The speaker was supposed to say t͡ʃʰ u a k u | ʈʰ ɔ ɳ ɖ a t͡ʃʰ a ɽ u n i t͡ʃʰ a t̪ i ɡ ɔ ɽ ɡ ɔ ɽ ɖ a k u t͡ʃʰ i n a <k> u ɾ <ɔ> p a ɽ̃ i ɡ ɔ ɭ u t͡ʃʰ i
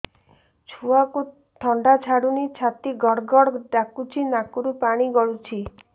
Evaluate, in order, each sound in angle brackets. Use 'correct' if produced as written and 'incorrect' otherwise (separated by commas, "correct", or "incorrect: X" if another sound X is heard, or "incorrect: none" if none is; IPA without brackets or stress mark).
correct, incorrect: u